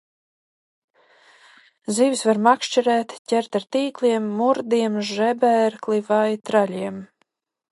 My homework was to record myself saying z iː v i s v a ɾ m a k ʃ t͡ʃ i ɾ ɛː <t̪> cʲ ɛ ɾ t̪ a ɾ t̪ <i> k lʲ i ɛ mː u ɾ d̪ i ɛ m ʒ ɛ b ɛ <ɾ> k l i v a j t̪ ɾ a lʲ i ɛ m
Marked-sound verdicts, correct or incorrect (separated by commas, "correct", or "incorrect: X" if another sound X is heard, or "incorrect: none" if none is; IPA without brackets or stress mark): correct, incorrect: iː, correct